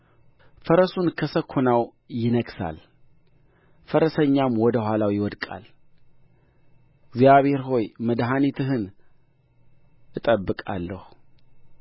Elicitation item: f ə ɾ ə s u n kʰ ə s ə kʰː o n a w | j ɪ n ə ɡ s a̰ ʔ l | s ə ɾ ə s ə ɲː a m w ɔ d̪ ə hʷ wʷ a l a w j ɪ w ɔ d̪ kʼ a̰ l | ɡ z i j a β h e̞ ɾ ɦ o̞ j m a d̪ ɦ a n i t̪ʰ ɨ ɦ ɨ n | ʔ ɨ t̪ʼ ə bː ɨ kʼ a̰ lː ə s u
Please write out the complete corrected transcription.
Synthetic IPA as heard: f ə ɾ ə s u n kʰ ə s ə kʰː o n a w | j ɪ n ə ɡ s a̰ l | f ə ɾ ə s ə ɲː a m w ɔ d̪ ə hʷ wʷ a l a w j ɪ w ɔ d̪ kʼ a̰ l | ɡ z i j a β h e̞ ɾ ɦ o̞ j m ə d̪ ɦ a n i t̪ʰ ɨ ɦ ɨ n | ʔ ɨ t̪ʼ ə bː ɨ kʼ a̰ lː ə h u